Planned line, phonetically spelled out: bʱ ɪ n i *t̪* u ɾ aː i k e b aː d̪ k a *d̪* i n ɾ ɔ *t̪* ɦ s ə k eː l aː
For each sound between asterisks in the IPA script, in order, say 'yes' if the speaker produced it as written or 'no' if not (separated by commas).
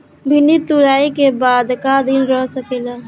yes, yes, no